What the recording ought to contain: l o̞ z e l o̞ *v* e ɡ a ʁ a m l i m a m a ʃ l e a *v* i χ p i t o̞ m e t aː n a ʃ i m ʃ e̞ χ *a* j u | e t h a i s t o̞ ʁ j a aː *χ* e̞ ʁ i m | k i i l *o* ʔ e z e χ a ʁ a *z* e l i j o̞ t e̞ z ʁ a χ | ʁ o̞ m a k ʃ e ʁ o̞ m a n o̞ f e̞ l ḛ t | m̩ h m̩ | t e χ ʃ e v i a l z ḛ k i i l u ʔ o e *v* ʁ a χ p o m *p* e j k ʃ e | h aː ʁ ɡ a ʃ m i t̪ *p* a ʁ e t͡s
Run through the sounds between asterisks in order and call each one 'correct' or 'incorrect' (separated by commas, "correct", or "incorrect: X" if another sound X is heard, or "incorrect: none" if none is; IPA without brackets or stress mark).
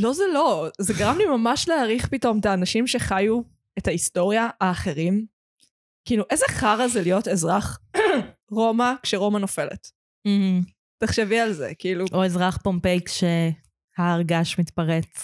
incorrect: z, incorrect: ʁ, correct, correct, incorrect: u, correct, incorrect: z, correct, correct